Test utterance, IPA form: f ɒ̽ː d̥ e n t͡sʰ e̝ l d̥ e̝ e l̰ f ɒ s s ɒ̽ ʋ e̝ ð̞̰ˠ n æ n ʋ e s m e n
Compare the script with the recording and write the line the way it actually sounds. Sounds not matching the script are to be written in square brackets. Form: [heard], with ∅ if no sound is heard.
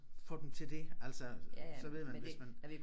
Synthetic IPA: f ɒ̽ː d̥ e [m] t͡sʰ e̝ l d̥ e̝ [æ] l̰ [s] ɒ s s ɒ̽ ʋ e̝ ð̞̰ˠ [m] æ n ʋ e s m [æ] n

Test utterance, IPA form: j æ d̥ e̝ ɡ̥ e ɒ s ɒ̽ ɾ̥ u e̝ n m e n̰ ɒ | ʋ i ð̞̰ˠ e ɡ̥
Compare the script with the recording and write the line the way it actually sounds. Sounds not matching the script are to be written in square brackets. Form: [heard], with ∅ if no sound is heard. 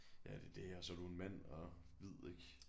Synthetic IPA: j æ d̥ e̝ [d̥] e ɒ s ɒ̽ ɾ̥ u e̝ n m [æ] n̰ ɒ | ʋ i ð̞̰ˠ e ɡ̥

